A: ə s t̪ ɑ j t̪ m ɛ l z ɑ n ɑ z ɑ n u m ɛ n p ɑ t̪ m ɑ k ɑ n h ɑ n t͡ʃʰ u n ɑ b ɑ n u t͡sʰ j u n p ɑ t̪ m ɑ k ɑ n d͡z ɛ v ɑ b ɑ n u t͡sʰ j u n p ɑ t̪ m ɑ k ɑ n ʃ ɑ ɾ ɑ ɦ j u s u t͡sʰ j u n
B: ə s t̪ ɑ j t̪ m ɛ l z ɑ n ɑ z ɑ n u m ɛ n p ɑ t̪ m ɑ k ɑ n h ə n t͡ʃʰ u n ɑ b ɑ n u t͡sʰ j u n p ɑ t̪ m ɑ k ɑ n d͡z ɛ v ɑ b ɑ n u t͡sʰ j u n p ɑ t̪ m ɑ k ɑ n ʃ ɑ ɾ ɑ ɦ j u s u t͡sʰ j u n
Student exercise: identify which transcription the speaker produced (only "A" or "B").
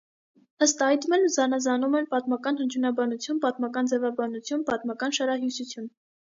B